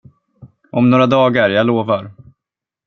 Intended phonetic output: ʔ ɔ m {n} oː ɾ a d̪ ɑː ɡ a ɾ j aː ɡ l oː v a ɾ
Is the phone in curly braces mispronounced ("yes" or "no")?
no